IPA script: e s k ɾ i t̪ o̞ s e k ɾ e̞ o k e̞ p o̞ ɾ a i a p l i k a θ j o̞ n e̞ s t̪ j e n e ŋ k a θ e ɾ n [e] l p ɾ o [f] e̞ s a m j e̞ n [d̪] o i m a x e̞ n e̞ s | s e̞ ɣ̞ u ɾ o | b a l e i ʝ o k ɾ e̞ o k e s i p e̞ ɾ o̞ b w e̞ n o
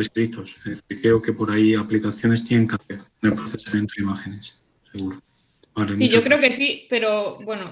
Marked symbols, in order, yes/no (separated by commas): yes, no, no